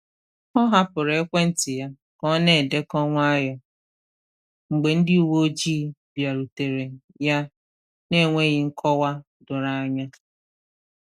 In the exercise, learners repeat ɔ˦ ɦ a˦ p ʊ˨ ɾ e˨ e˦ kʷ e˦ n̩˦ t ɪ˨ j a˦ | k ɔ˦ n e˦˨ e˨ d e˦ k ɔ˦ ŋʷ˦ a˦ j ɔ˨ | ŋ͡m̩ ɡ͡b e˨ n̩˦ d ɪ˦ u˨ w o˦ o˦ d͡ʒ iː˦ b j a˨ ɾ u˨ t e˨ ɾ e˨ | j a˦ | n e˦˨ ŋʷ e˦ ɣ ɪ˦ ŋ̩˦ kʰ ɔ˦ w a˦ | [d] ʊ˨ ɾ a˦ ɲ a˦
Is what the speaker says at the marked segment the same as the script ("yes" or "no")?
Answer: yes